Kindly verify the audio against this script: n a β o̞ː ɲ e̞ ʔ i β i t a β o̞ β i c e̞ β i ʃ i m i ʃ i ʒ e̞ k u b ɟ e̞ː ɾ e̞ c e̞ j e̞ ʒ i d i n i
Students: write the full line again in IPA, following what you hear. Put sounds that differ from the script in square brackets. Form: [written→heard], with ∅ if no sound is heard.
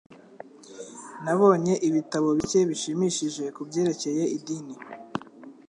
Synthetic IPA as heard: n a β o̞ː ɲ e̞ ʔ i β i t a β o̞ β i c e̞ β i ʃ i m i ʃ i ʒ e̞ k u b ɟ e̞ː ɾ e̞ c e̞ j e̞ [ʒ→∅] i d i n i